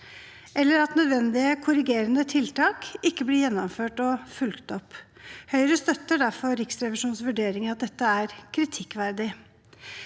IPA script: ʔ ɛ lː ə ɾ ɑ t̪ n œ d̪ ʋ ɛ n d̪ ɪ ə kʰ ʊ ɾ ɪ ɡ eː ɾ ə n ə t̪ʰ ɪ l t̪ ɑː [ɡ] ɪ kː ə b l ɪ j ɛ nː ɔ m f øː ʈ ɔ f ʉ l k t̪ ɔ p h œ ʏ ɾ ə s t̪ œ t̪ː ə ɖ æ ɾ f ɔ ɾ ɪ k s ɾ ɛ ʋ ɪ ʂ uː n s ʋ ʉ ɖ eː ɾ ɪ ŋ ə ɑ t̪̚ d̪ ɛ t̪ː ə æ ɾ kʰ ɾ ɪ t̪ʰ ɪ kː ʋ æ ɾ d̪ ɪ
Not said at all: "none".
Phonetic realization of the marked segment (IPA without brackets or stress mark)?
k